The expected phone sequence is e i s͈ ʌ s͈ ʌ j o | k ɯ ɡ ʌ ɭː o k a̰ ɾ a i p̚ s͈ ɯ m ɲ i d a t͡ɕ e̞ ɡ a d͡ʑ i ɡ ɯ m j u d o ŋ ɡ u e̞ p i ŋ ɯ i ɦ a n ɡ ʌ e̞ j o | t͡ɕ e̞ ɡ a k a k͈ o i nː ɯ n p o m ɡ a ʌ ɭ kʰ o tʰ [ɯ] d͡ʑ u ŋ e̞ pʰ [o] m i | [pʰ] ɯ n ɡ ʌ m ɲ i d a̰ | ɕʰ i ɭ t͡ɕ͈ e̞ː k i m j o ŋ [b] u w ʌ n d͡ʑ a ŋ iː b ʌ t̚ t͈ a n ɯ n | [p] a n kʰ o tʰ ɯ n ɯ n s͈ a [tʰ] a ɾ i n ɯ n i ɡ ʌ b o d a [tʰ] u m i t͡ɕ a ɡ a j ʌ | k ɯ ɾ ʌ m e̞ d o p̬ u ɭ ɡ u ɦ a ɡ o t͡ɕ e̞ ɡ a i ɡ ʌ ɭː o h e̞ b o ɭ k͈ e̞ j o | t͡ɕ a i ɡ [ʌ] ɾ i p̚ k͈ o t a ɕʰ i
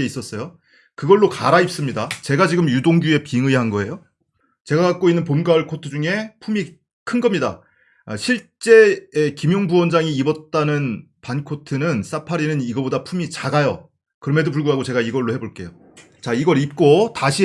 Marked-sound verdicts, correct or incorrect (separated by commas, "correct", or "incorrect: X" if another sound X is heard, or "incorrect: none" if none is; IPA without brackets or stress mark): correct, incorrect: u, incorrect: kʰ, correct, correct, incorrect: pʰ, incorrect: pʰ, correct